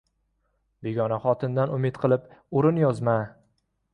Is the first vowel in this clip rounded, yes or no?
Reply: no